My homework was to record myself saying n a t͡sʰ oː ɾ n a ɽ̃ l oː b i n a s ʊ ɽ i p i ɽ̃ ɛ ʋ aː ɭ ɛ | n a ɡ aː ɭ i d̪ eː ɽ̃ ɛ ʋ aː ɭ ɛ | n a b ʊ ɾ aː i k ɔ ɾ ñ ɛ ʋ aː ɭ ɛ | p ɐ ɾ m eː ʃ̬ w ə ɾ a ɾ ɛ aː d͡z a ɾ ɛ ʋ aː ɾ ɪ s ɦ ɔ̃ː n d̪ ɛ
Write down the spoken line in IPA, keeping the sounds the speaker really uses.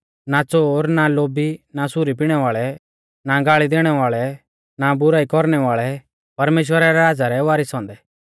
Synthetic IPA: n a t͡s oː ɾ n a l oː b i n a s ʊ ɾ i p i ɽ̃ ɛ ʋ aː ɭ ɛ | n a ɡ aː ɭ i d̪ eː ɽ̃ ɛ ʋ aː ɭ ɛ | n a b ʊ ɾ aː i k ɔ ɾ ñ ɛ ʋ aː ɭ ɛ | p ɐ ɾ m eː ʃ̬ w ə ɾ a ɾ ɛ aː d͡z a ɾ ɛ ʋ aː ɾ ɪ s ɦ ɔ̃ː n d̪ ɛ